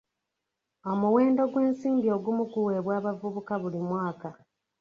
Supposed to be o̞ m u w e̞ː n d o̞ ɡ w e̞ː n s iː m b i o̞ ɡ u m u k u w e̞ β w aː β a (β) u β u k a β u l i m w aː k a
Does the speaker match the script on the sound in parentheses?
no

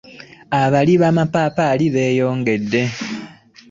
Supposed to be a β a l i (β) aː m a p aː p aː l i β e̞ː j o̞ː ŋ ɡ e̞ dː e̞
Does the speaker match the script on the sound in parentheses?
yes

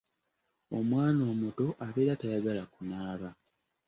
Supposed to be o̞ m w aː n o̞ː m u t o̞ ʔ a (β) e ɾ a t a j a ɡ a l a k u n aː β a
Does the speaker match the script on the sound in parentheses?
yes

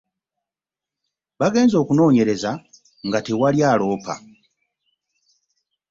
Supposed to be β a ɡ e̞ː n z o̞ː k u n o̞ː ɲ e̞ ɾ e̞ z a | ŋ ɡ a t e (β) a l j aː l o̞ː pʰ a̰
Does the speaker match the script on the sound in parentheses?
no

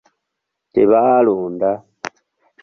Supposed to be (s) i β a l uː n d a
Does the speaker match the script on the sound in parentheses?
no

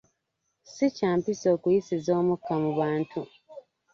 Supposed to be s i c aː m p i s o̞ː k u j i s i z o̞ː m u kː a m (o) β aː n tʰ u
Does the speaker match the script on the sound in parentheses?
no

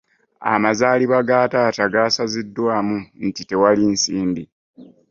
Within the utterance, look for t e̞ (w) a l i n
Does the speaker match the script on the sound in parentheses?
yes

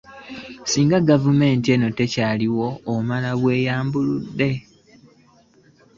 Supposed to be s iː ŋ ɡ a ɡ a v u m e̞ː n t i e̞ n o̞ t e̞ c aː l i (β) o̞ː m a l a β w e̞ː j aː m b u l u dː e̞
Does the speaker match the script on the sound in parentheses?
no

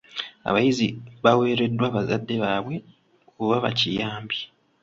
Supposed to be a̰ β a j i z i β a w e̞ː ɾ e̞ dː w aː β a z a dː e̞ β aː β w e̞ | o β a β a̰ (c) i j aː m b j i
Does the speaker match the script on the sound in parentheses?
yes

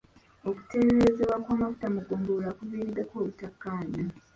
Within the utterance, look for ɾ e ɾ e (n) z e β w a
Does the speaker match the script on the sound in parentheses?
no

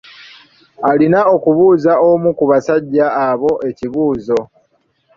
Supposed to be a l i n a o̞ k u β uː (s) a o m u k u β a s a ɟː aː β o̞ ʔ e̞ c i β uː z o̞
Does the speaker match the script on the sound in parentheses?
no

